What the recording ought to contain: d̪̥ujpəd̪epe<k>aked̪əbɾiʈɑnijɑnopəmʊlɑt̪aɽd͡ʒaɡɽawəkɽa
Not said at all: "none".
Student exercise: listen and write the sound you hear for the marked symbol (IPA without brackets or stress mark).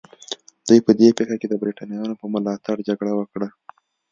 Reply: x